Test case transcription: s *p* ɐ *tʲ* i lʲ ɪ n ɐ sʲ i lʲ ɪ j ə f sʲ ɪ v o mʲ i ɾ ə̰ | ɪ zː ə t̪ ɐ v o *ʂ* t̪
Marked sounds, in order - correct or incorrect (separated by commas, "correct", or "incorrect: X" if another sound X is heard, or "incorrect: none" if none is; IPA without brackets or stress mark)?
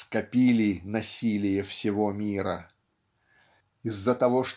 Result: incorrect: k, incorrect: pʲ, correct